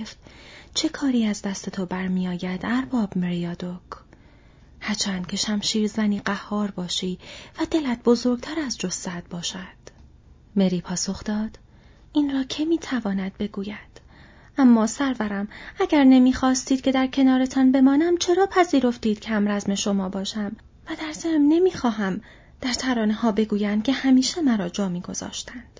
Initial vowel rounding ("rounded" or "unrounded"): unrounded